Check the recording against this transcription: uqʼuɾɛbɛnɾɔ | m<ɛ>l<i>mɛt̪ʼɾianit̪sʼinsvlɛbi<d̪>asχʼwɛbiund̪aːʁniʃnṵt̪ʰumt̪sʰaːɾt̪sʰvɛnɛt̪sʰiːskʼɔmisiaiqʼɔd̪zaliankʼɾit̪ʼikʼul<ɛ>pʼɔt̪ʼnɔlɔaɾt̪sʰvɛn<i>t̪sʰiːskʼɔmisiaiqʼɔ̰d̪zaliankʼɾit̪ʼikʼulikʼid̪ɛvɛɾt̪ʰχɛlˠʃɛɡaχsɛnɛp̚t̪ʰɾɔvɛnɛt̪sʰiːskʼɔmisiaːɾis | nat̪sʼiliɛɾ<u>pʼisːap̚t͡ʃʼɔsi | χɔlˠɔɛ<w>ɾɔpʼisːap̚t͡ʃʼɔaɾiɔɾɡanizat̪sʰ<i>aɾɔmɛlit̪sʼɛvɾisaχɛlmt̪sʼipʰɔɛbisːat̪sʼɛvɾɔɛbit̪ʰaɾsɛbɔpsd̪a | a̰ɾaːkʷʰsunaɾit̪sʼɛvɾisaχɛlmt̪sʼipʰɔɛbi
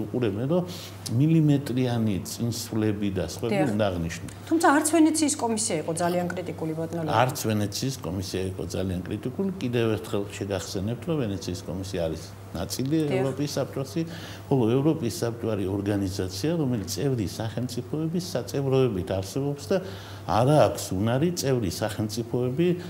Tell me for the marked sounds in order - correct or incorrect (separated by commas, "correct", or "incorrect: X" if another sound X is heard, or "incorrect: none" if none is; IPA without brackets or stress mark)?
incorrect: i, correct, correct, incorrect: i, incorrect: ɛ, incorrect: ɔ, incorrect: v, correct